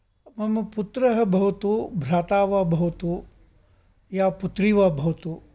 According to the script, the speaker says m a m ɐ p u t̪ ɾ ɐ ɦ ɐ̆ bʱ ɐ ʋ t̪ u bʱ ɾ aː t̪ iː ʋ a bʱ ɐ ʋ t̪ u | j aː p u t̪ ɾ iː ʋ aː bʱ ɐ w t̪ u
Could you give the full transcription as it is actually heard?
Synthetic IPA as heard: m ɐ m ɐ p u t̪ ɾ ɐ ɦ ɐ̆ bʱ ɐ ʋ t̪ u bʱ ɾ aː t̪ aː ʋ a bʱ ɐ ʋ t̪ u | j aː p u t̪ ɾ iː ʋ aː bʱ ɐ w t̪ u